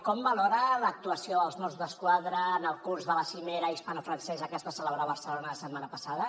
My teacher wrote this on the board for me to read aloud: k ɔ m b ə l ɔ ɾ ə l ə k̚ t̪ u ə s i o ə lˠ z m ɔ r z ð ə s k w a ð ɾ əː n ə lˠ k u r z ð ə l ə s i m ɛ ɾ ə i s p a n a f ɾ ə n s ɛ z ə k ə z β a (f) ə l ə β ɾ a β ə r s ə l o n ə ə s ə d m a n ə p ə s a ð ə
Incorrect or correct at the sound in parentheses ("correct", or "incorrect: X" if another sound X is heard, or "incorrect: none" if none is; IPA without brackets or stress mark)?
incorrect: s